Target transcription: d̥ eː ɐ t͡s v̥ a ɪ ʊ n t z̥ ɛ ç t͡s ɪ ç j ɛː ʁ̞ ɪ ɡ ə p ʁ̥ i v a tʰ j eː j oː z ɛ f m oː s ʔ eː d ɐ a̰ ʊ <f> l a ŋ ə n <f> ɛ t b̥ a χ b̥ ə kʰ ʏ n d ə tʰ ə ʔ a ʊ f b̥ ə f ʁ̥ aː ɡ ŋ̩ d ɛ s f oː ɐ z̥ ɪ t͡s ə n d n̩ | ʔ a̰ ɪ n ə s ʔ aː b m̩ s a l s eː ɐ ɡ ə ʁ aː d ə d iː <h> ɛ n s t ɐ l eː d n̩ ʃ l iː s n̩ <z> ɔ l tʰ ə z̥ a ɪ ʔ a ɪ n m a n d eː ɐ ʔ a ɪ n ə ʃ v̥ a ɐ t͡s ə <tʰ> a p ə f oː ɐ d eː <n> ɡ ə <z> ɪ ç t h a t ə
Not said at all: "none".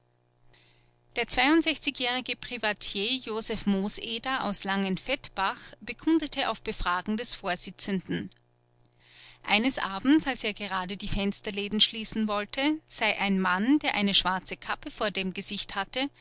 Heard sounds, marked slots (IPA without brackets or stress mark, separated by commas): s, f, f, v, kʰ, m, z